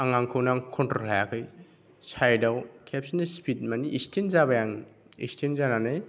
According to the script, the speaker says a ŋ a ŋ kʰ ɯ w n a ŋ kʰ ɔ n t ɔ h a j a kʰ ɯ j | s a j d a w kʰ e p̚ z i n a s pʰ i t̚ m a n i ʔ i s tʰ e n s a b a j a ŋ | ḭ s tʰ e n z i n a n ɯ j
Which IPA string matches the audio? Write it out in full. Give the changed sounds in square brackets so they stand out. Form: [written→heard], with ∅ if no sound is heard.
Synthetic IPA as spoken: a ŋ a ŋ kʰ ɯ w n a ŋ kʰ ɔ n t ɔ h a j a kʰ ɯ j | s a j d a w kʰ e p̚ [z→s] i n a s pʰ i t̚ m a n i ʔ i s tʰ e n [s→z] a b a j a ŋ | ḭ s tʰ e n z [i→a] n a n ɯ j